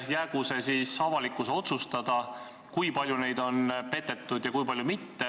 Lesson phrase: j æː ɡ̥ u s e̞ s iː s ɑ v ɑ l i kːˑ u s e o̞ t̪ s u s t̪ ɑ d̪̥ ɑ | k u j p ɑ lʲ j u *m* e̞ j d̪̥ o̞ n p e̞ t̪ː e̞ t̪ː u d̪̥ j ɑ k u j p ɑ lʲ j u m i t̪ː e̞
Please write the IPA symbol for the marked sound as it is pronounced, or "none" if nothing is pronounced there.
n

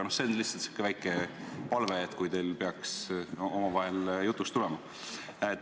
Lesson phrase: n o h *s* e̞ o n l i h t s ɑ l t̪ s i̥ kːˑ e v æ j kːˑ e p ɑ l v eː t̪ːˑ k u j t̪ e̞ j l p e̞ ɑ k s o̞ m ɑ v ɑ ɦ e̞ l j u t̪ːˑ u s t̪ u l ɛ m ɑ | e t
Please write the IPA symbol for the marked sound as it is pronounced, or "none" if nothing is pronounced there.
s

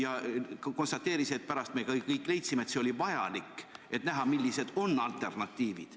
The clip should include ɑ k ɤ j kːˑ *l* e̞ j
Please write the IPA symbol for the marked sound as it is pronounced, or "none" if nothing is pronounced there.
l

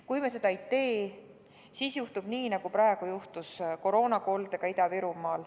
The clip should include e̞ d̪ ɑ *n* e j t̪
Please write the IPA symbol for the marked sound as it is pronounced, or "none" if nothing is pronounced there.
none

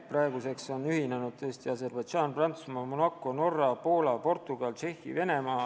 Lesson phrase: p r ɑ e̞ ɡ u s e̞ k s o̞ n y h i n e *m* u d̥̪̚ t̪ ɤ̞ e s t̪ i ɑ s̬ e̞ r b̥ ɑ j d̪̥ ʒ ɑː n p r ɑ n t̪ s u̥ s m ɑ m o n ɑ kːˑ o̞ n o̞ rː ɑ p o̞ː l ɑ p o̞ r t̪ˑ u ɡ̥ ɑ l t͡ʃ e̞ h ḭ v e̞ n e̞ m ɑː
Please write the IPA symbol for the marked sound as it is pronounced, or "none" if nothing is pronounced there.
n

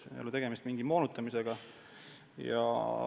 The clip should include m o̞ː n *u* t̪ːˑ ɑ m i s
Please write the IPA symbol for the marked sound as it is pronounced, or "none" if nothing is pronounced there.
u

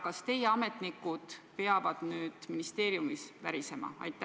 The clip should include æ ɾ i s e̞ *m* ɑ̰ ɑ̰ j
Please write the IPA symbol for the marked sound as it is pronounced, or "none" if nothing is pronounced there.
m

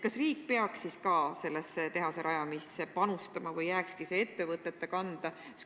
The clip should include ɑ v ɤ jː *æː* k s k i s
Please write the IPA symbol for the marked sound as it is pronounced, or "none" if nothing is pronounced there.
æː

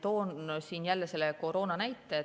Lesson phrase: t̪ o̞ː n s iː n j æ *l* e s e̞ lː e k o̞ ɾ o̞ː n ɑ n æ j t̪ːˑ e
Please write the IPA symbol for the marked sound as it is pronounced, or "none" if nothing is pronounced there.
lː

